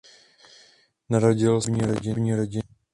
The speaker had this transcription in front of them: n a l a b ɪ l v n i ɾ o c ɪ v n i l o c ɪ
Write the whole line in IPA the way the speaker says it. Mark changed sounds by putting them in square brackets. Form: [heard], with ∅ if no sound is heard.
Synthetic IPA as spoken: n a [ɾ] a [ɟ] ɪ l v [ɲ] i ɾ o [ɟ] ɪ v [ɲ] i [ɾ] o [ɟ] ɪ